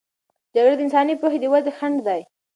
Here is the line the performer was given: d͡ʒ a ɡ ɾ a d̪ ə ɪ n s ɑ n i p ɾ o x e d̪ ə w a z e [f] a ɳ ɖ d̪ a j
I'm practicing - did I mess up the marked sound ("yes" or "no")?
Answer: yes